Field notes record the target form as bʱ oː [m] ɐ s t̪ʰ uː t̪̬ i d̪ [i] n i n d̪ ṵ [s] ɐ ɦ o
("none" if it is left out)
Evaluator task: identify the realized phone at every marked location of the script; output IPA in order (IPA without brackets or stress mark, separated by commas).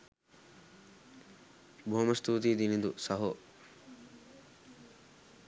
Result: m, i, s